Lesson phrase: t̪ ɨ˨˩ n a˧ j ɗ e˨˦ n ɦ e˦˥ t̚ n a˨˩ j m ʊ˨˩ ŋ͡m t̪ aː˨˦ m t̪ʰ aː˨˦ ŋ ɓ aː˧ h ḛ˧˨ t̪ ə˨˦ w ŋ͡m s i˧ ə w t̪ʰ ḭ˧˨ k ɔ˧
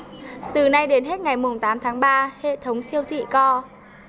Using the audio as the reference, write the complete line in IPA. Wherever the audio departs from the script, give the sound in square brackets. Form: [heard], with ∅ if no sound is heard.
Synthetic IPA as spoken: t̪ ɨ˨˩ n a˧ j ɗ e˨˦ n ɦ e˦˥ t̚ [ŋ] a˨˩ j m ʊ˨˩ ŋ͡m t̪ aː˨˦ m t̪ʰ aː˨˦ ŋ ɓ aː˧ h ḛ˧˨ [t̪ʰ] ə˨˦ w ŋ͡m s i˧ ə w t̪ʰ ḭ˧˨ k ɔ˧